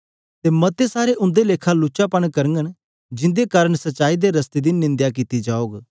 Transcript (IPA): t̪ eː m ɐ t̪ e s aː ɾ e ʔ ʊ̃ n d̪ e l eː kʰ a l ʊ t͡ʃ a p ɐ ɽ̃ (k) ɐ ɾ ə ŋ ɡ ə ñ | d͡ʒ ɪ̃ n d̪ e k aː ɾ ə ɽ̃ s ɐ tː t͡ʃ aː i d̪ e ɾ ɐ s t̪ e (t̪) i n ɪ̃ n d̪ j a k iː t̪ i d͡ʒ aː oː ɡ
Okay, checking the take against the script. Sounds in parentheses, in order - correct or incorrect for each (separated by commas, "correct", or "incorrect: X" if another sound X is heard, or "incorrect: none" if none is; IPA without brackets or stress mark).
correct, incorrect: d̪